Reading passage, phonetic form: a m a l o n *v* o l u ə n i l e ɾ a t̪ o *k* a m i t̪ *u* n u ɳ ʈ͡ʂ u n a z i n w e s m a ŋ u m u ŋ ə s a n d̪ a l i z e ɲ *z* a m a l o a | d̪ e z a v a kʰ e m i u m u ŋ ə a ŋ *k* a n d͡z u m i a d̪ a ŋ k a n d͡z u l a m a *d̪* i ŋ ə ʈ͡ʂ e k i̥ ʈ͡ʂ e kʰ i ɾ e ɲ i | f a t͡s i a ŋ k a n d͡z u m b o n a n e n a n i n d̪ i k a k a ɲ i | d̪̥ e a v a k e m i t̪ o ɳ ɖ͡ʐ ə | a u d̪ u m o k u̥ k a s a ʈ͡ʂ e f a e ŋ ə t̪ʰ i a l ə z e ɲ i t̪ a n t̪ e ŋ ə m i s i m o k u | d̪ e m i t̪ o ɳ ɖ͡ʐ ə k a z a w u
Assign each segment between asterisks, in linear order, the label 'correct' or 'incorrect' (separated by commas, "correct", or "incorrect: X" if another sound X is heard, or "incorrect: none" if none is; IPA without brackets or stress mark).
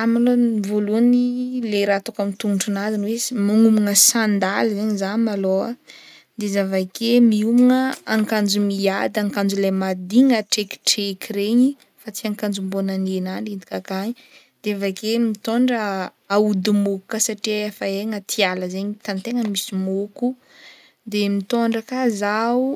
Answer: correct, correct, correct, correct, correct, correct